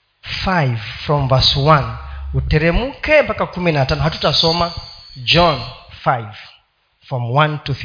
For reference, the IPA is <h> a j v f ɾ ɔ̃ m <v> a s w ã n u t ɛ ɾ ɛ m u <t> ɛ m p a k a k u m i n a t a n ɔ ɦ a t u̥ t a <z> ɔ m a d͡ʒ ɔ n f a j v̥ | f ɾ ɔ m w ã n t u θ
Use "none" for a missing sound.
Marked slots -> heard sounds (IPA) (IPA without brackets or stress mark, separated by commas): f, v, k, s